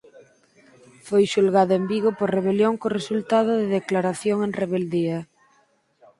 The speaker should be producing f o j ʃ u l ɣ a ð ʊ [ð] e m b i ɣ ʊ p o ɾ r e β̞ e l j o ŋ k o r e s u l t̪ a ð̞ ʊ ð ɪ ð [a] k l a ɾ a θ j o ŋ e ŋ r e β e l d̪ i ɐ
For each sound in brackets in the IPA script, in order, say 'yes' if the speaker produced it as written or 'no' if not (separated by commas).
no, no